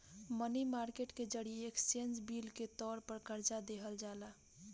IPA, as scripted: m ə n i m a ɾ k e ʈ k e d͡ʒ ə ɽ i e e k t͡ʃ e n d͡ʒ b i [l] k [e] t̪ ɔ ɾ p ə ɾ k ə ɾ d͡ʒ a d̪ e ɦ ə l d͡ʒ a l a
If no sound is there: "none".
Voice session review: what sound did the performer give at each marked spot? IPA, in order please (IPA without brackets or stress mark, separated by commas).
l, e